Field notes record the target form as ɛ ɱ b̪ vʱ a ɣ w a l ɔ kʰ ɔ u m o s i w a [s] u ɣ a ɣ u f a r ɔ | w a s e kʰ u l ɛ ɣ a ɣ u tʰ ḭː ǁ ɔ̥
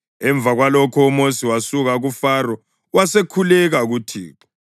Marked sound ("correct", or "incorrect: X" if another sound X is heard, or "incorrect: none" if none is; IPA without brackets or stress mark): correct